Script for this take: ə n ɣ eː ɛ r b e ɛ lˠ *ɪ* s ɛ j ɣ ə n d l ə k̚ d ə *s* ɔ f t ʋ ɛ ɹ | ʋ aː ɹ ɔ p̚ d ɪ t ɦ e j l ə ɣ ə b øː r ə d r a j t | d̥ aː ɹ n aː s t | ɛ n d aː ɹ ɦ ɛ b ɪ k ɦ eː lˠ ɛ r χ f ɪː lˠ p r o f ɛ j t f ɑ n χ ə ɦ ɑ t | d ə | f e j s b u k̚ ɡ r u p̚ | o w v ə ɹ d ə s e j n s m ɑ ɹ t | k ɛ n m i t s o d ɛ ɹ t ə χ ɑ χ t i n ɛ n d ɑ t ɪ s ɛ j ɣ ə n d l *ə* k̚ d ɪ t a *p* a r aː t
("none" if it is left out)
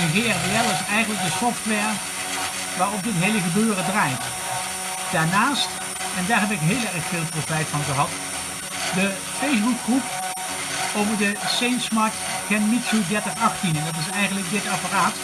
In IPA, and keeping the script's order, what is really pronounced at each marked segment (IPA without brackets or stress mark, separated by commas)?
ɪ, s, ə, p